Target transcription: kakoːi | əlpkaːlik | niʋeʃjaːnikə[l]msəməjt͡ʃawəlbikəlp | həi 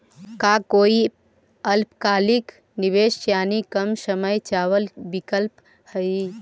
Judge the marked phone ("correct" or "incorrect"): incorrect